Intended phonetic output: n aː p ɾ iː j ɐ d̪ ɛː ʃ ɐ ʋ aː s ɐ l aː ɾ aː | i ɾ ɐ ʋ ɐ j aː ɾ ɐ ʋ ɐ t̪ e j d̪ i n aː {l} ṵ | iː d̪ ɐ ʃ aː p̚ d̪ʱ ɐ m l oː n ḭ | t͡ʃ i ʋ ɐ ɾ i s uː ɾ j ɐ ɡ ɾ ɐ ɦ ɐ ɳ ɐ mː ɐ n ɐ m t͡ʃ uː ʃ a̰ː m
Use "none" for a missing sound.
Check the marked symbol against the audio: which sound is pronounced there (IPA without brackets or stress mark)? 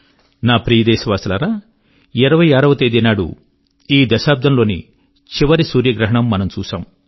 ɽ